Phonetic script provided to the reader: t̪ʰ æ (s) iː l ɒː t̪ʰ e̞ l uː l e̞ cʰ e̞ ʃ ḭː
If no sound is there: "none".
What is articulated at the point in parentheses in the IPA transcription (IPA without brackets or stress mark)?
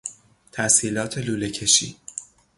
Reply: s